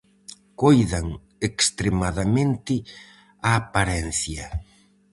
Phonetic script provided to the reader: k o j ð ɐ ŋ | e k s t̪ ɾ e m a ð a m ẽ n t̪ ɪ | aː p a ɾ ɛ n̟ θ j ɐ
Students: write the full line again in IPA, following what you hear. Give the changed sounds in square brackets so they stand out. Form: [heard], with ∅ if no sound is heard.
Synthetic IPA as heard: k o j ð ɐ ŋ | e k s t̪ ɾ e m a ð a m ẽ n t̪ ɪ | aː p a ɾ ɛ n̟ θ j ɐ